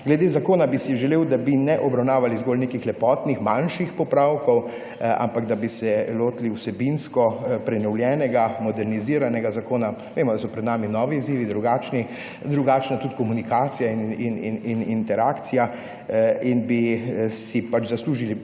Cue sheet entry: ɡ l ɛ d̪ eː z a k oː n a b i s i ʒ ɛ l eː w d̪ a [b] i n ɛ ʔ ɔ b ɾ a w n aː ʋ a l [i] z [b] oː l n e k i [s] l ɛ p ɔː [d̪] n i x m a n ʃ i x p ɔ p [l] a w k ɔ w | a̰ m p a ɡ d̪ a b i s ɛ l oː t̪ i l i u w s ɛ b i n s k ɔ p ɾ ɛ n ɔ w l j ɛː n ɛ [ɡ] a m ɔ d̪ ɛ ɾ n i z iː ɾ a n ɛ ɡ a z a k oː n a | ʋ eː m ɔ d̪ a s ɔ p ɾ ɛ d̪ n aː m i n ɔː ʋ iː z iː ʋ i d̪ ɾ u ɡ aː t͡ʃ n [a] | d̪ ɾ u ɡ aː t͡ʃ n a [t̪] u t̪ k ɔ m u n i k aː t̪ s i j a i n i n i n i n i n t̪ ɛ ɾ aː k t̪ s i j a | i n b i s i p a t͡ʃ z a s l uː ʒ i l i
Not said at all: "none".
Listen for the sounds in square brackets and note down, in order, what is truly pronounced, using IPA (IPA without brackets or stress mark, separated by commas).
b, i, ɡ, x, t̪, ɾ, ɡ, i, t̪